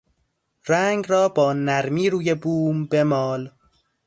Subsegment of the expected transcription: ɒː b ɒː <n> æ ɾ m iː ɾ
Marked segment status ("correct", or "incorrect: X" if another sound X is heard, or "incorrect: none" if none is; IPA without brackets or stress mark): correct